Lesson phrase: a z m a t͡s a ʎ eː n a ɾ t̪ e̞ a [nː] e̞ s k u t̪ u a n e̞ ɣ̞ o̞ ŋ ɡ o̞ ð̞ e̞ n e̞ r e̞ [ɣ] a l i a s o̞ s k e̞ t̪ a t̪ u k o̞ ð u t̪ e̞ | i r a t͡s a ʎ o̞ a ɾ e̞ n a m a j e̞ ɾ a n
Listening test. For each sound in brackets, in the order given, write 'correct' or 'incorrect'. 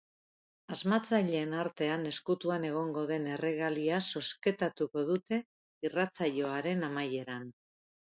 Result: incorrect: n, correct

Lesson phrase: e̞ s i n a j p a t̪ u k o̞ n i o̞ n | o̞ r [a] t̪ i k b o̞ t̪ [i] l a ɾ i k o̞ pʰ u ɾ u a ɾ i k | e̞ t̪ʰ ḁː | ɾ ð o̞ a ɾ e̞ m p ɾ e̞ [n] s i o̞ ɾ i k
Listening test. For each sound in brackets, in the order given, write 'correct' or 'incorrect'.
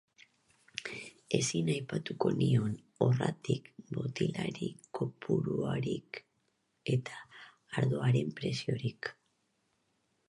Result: correct, correct, incorrect: none

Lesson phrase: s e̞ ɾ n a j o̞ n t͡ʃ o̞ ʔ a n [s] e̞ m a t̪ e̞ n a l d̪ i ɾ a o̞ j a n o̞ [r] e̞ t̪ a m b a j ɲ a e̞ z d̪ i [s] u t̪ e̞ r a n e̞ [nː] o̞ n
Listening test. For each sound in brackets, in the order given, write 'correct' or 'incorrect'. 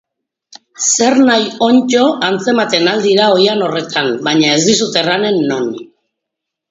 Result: incorrect: t͡s, correct, correct, correct

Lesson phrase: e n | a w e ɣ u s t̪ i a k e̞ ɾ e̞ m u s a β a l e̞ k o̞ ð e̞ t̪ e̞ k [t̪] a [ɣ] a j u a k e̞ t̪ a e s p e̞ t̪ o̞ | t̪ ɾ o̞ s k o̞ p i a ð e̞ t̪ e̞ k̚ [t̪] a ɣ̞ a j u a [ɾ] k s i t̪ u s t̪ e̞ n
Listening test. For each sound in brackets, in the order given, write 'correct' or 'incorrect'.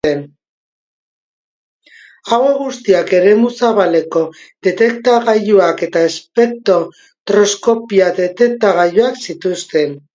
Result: correct, correct, correct, incorrect: none

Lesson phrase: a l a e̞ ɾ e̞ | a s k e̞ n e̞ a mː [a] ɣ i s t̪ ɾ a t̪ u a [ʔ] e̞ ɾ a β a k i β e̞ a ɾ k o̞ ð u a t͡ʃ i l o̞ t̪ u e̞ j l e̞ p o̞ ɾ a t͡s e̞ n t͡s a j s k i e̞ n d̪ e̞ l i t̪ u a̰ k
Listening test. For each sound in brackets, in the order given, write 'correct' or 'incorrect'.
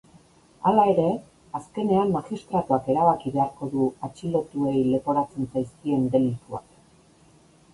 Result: correct, incorrect: k

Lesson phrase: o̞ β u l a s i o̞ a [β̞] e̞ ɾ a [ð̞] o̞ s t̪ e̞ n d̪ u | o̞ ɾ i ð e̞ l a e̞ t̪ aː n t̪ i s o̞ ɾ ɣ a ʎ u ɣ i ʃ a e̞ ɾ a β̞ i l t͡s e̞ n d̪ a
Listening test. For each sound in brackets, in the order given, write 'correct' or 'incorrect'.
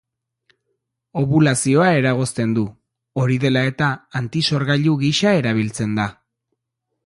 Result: incorrect: none, incorrect: ɣ̞

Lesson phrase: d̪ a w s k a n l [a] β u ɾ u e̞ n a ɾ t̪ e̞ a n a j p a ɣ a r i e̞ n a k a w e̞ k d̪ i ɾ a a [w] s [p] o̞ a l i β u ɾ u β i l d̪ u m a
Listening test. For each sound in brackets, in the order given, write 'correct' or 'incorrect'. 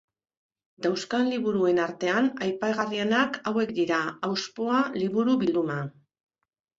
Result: incorrect: i, correct, correct

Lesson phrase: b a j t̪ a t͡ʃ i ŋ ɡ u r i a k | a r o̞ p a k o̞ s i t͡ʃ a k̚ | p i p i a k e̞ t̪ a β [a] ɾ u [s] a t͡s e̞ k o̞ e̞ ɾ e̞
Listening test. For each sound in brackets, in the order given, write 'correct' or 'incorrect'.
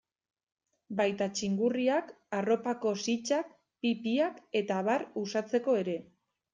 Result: correct, correct

